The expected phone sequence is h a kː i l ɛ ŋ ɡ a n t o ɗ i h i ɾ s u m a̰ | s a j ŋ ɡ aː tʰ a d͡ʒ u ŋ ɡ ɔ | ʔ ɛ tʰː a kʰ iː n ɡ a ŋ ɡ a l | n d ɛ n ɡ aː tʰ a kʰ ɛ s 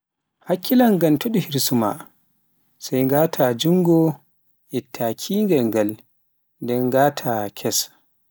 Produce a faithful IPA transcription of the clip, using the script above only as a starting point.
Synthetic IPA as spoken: h a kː i l a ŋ ɡ a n t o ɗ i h i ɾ s u m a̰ | s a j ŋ ɡ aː tʰ a d͡ʒ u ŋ ɡ ɔ | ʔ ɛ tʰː a kʰ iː ŋ ɡ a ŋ ɡ a l | n d ɛ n ɡ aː tʰ a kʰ ɛ s